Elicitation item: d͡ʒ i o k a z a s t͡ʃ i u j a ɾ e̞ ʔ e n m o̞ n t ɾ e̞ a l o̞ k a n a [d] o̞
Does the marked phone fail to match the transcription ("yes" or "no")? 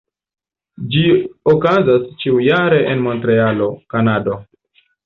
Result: no